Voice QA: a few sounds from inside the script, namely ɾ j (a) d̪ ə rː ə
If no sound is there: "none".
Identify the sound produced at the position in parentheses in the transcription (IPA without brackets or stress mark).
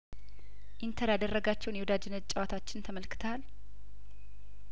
a